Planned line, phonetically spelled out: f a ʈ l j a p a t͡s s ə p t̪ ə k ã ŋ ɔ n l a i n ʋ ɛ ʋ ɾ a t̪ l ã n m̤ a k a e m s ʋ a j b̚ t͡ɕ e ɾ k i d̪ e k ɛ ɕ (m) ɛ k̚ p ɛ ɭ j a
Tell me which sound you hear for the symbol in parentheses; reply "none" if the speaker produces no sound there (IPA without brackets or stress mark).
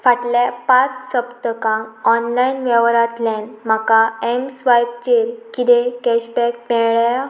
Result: b